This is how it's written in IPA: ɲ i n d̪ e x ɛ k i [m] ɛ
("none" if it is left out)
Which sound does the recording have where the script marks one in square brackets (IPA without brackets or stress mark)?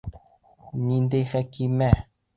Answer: m